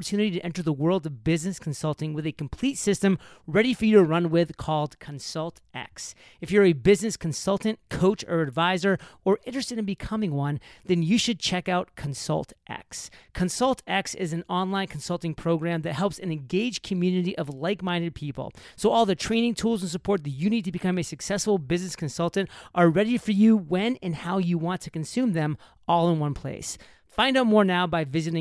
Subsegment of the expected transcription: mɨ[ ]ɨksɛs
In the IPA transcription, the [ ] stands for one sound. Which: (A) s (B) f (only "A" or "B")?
A